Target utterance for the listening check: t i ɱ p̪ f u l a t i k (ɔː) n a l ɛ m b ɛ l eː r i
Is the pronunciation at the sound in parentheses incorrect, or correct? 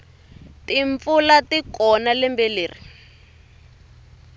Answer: incorrect